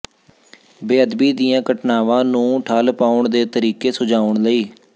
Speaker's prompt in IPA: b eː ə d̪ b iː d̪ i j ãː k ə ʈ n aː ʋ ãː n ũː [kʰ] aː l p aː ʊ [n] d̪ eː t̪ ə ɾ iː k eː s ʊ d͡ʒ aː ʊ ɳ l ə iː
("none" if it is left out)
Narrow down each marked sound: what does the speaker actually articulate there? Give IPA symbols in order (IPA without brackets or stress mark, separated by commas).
ʈʰ, ɳ